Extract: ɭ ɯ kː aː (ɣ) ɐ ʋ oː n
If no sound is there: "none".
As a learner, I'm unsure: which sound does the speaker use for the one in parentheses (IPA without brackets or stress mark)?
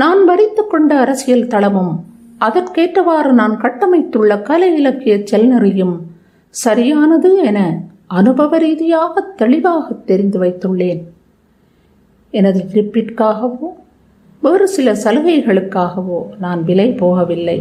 ɣ